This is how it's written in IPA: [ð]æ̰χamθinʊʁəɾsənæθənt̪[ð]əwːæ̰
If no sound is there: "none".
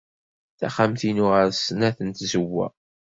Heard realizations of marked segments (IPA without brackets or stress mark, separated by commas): θ, z